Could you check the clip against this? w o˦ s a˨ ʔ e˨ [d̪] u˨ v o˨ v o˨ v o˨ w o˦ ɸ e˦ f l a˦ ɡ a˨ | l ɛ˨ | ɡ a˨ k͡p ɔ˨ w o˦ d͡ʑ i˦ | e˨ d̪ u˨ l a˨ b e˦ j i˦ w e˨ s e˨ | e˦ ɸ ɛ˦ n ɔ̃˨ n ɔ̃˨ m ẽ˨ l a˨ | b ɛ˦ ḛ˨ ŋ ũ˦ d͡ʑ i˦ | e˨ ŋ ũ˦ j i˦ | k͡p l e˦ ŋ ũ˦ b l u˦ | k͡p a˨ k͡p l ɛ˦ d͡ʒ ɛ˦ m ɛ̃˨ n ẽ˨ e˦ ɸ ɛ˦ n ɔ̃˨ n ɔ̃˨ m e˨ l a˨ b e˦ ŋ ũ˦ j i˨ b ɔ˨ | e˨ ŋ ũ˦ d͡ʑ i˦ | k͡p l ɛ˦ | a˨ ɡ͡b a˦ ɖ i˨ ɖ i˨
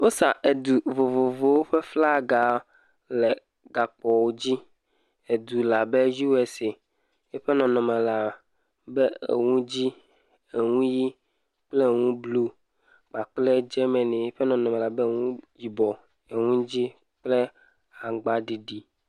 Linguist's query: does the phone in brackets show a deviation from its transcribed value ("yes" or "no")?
no